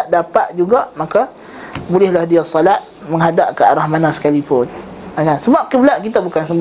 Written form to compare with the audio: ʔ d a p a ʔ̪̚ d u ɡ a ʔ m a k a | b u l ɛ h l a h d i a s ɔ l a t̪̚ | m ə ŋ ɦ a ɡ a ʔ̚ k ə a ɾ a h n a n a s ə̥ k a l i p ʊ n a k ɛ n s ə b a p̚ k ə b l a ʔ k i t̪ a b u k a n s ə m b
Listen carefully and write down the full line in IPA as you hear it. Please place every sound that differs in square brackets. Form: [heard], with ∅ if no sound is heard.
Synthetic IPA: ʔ d a p a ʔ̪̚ [d͡ʒ] u ɡ a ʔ m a k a | b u l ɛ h l a h d i a s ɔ l a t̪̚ | m ə ŋ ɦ a [d] a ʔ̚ k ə a ɾ a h [m] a n a s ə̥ k a l i p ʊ n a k [a] n s ə b a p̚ k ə b l a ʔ k i t̪ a b u k a n s ə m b